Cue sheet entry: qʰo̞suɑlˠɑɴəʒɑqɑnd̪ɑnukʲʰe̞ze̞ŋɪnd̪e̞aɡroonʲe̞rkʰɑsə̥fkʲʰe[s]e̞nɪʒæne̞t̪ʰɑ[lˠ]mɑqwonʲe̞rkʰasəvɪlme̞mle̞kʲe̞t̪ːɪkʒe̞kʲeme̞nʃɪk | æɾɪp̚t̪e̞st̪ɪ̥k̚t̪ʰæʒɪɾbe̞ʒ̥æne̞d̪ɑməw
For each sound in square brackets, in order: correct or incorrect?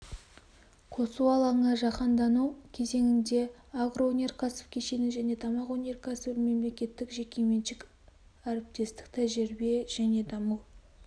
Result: incorrect, incorrect

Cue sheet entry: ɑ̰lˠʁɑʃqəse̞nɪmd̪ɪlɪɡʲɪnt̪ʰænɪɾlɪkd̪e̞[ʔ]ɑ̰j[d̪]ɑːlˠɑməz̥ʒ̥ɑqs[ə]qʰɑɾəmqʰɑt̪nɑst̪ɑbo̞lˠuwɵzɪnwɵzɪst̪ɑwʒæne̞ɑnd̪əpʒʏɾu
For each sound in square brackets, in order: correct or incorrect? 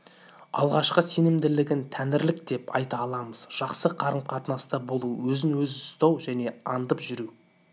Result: incorrect, incorrect, correct

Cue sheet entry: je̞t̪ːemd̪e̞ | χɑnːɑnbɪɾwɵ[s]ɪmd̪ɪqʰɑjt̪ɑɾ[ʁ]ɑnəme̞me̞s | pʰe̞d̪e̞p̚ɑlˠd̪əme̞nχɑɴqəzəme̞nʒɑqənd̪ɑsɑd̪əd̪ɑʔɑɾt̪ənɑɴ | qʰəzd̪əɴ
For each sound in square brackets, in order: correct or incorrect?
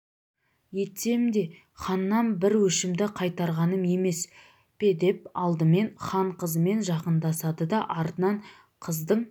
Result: incorrect, correct

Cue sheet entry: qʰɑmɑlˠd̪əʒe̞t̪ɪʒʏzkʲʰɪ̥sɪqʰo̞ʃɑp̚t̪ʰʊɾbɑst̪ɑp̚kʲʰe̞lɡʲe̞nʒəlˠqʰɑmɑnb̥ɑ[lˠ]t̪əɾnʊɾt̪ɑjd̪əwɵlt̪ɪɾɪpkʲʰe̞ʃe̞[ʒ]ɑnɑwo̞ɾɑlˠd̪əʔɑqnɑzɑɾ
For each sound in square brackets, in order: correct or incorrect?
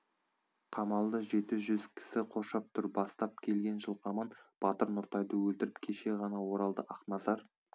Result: incorrect, incorrect

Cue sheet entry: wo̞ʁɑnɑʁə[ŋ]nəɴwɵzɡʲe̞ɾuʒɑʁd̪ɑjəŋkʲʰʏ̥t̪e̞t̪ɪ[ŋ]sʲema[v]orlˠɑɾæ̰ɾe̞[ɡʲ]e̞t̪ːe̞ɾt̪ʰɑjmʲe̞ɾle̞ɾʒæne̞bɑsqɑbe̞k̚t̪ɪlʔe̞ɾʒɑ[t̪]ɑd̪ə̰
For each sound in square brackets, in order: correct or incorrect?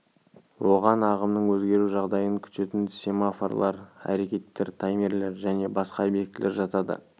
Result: incorrect, incorrect, incorrect, incorrect, correct

